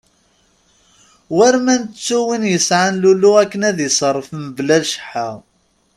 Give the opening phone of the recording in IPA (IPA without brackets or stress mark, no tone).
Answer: w